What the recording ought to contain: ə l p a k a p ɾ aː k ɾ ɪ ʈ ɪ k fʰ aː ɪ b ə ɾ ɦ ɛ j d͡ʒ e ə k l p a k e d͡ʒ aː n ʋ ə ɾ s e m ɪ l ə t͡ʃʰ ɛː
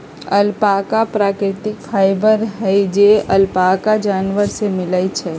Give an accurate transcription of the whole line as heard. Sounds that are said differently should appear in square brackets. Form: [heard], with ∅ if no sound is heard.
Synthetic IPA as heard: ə l p a k a p ɾ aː k ɾ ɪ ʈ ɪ k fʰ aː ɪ b ə ɾ ɦ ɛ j d͡ʒ e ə [∅] l p a k [a] d͡ʒ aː n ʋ ə ɾ s e m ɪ l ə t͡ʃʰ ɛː